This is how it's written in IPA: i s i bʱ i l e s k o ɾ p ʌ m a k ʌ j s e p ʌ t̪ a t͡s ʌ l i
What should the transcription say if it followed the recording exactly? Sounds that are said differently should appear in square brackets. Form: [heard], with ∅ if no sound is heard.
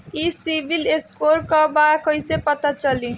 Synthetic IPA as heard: i s i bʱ i l e s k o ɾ [k] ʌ [b] a k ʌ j s e p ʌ t̪ a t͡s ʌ l i